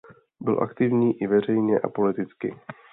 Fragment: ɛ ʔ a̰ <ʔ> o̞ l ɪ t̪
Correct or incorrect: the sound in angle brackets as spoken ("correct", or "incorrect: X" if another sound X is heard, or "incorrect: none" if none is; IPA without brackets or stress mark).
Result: incorrect: p